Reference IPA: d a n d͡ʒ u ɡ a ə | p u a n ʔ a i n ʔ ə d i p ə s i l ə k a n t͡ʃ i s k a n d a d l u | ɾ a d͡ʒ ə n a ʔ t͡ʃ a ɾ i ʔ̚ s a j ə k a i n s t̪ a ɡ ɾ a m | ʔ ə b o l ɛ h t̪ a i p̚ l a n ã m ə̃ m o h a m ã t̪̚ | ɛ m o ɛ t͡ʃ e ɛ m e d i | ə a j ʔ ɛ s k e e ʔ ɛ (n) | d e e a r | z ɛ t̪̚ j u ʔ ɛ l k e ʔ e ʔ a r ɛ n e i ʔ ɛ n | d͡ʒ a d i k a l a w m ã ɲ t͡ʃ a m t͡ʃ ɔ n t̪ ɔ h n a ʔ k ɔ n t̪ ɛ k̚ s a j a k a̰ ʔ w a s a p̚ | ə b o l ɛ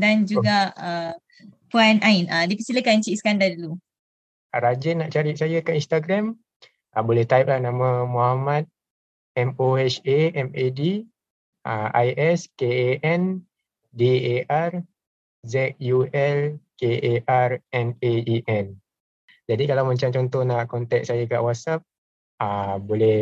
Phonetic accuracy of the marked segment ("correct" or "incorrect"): correct